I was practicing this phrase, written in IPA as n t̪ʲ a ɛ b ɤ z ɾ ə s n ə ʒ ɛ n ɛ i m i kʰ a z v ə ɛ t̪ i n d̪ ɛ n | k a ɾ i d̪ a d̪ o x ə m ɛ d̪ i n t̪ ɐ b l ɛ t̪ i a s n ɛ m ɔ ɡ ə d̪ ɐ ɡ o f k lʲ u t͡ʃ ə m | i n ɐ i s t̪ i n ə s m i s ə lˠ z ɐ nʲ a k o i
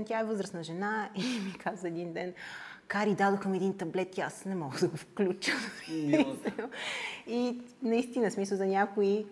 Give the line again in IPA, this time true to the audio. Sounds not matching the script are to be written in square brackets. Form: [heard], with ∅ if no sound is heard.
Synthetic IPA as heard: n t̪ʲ a ɛ [v] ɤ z ɾ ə s n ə ʒ ɛ n [a] i m i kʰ a z v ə ɛ [d̪] i n d̪ ɛ n | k a ɾ i d̪ a d̪ o x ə m ɛ d̪ i n t̪ ɐ b l ɛ t̪ i a s n ɛ m ɔ ɡ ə d̪ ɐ ɡ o f k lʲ u t͡ʃ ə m | i n ɐ i s t̪ i n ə s m i s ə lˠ z ɐ nʲ a k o i